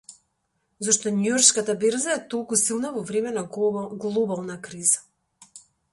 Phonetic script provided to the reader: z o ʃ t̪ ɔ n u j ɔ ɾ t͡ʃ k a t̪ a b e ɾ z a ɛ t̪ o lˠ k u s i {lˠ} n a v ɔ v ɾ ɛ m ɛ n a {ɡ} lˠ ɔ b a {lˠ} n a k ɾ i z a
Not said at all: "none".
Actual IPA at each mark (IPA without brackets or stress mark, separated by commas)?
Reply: lˠ, ɡ, lˠ